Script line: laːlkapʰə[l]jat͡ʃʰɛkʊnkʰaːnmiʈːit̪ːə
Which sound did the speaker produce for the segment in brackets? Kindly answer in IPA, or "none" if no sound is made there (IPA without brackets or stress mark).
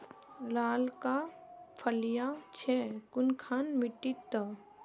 l